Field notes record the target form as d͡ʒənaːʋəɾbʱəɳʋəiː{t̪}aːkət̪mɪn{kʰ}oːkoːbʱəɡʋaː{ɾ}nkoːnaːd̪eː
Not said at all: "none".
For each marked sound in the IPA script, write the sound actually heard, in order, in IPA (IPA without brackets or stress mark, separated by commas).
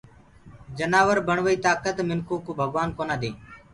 t̪, k, none